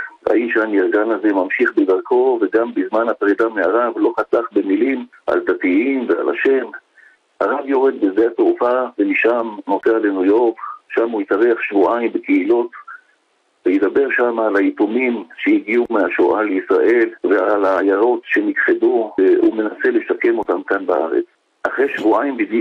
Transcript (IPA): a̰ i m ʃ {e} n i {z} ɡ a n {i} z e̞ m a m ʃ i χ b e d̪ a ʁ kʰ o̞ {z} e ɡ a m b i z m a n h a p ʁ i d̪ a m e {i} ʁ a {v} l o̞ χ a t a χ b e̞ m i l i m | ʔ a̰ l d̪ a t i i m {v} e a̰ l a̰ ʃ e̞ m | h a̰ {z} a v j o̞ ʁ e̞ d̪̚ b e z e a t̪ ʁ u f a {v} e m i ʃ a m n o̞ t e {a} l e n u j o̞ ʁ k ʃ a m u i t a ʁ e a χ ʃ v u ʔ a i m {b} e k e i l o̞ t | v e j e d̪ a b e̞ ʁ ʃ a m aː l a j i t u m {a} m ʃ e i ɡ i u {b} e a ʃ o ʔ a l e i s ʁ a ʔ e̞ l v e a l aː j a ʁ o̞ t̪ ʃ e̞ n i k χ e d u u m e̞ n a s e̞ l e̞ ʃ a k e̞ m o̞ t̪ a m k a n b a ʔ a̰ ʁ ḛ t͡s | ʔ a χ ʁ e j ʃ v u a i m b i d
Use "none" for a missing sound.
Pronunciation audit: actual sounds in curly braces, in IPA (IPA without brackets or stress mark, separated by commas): a, ʁ, a, v, a, v, v, ʁ, v, a, b, i, m